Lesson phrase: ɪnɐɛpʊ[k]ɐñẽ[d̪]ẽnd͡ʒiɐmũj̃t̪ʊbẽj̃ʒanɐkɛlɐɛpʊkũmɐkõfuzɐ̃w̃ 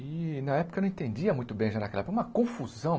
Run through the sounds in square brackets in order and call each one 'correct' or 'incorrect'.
correct, incorrect

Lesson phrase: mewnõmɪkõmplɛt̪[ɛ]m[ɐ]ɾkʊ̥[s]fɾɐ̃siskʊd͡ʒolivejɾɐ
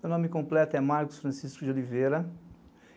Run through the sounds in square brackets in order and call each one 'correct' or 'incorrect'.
correct, incorrect, correct

